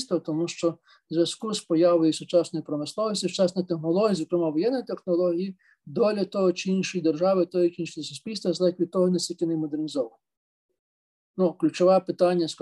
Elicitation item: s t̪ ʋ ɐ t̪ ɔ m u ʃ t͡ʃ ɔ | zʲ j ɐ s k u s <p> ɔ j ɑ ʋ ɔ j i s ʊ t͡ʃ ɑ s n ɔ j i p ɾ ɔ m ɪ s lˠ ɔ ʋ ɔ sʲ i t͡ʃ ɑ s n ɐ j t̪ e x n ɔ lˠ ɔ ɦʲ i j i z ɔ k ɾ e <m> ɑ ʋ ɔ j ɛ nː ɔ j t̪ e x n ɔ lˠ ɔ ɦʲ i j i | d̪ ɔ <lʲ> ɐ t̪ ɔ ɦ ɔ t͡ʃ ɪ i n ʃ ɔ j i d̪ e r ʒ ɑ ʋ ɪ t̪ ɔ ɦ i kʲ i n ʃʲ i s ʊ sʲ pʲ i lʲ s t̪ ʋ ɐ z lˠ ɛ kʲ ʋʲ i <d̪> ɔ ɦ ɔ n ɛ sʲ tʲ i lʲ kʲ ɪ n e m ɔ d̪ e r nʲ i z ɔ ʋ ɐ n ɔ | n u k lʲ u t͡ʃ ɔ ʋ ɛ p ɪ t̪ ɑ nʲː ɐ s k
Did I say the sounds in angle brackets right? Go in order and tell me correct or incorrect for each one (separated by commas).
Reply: correct, correct, correct, incorrect